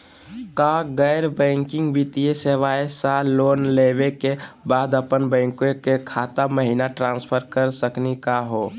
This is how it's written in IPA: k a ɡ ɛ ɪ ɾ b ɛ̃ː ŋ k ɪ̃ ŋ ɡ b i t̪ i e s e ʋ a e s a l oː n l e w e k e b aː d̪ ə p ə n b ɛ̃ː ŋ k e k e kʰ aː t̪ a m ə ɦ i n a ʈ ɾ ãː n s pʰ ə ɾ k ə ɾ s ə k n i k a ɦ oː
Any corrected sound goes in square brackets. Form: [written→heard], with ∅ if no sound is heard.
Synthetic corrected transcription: k a ɡ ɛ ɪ ɾ b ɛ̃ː ŋ k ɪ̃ ŋ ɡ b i t̪ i e s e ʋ a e s a l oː n l e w e k e b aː d̪ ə p ə n b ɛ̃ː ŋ k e k e kʰ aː t̪ a m ə ɦ i n a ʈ ɾ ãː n s pʰ ə ɾ k ə ɾ s ə k n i k a ɦ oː